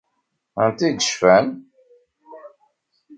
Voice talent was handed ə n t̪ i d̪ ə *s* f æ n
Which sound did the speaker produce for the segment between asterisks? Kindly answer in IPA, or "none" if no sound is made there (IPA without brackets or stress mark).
ʃ